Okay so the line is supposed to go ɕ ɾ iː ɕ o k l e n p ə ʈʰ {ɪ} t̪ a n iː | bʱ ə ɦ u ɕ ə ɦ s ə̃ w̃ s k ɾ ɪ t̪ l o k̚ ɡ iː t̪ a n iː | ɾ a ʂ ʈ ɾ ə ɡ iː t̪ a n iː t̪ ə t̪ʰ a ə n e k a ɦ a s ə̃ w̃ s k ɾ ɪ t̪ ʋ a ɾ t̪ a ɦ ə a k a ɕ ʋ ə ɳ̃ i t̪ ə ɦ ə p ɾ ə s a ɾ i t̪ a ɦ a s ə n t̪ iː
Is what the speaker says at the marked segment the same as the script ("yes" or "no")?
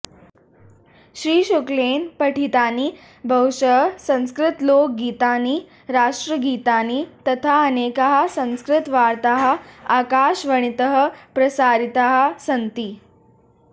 no